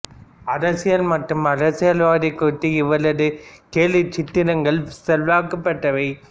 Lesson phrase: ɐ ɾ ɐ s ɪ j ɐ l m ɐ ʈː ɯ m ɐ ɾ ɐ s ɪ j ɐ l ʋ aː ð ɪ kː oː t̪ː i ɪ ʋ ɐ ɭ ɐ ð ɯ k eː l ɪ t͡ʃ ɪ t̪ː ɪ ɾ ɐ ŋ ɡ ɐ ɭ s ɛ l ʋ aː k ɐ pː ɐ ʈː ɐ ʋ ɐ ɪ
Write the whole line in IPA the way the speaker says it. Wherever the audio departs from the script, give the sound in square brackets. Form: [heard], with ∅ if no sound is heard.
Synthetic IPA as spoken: ɐ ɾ ɐ s ɪ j ɐ l m ɐ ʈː ɯ m ɐ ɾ ɐ s ɪ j ɐ l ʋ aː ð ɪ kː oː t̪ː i ɪ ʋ ɐ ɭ ɐ ð ɯ k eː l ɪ t͡ʃ ɪ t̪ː ɪ ɾ ɐ ŋ ɡ ɐ ɭ s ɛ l ʋ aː k ɐ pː ɐ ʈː ɐ ʋ ɐ ɪ